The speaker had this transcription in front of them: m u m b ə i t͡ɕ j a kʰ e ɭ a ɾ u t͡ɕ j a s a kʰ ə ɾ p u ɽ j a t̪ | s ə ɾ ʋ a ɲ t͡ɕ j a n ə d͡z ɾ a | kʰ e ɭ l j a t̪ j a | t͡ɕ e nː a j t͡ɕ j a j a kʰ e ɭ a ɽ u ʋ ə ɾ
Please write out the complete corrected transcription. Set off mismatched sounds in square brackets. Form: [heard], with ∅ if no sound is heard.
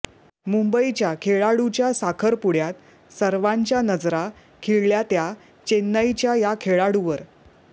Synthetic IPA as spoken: m u m b ə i t͡ɕ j a kʰ e ɭ a [ɽ] u t͡ɕ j a s a kʰ ə ɾ p u ɽ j a t̪ | s ə ɾ ʋ a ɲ t͡ɕ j a n ə d͡z ɾ a | kʰ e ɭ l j a t̪ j a | t͡ɕ e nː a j t͡ɕ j a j a kʰ e ɭ a ɽ u ʋ ə ɾ